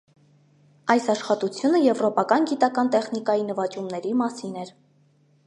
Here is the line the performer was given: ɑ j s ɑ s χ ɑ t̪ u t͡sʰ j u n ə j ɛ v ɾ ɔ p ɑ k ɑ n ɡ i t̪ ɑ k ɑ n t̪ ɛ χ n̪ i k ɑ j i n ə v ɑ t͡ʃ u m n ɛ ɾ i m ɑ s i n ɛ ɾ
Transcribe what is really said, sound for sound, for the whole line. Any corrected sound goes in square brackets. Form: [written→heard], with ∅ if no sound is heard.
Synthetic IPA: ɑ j s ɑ [s→ʃ] χ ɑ t̪ u t͡sʰ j u n ə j ɛ v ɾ ɔ p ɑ k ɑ n ɡ i t̪ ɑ k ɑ n t̪ ɛ χ n̪ i k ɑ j i n ə v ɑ t͡ʃ u m n ɛ ɾ i m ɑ s i n ɛ ɾ

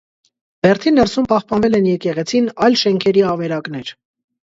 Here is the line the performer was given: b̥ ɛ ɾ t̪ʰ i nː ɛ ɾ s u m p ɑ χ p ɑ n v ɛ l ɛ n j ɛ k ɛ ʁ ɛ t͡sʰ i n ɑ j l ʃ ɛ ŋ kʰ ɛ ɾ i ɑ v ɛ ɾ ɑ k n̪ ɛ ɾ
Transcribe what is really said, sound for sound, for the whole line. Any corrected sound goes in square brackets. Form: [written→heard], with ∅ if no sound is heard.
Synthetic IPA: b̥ ɛ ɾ t̪ʰ i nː ɛ ɾ s u m p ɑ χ p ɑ n v ɛ l ɛ n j ɛ k ɛ ʁ ɛ t͡sʰ i n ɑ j l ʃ ɛ ŋ kʰ ɛ ɾ i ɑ v ɛ ɾ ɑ k n̪ ɛ ɾ

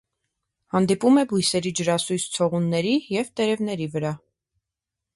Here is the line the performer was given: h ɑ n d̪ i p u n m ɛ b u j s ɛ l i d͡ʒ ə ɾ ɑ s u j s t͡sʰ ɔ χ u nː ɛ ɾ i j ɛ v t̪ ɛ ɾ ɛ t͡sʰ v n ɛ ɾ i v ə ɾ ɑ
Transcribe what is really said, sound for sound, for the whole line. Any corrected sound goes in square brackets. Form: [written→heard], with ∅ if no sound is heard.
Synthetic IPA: h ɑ n d̪ i p u [n→∅] m ɛ b u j s ɛ [l→ɾ] i d͡ʒ ə ɾ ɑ s u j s t͡sʰ ɔ [χ→ʁ] u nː ɛ ɾ i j ɛ v t̪ ɛ ɾ ɛ [t͡sʰ→∅] v n ɛ ɾ i v ə ɾ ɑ

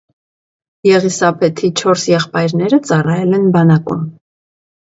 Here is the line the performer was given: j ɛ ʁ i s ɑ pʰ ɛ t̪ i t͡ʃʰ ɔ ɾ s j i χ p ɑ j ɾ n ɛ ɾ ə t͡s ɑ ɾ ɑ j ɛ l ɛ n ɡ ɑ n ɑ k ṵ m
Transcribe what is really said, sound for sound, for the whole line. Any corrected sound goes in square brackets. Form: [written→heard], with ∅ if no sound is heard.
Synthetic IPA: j ɛ ʁ i s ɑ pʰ ɛ [t̪→t̪ʰ] i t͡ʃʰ ɔ ɾ s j [i→ɛ] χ p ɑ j ɾ n ɛ ɾ ə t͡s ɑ [ɾ→r] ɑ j ɛ l ɛ n [ɡ→b] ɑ n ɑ k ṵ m

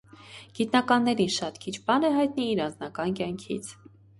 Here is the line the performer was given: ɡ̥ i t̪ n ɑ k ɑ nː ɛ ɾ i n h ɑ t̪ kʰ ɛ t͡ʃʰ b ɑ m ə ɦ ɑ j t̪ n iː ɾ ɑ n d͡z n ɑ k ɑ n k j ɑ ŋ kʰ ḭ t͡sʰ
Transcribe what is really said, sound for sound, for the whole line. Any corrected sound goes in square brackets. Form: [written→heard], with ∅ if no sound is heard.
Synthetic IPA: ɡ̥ i t̪ n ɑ k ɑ nː ɛ ɾ i n [h→ʃ] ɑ t̪ kʰ [ɛ→i] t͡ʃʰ b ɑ [m→n] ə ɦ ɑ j t̪ n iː ɾ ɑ n d͡z n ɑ k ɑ n k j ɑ ŋ kʰ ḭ t͡sʰ

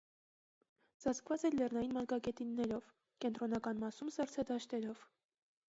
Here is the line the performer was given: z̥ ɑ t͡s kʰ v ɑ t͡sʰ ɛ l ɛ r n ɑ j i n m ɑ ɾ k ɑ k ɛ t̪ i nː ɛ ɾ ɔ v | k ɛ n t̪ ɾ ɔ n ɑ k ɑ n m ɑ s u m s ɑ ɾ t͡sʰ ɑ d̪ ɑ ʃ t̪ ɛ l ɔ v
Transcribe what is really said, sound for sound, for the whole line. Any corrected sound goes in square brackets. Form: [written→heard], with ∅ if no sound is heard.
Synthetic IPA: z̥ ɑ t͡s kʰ v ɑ [t͡sʰ→t͡s] ɛ l ɛ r n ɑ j i n m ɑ ɾ k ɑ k ɛ t̪ i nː ɛ ɾ ɔ v | k ɛ n t̪ ɾ ɔ n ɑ k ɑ n m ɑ s u m s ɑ ɾ t͡sʰ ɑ d̪ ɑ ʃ t̪ ɛ [l→ɾ] ɔ v

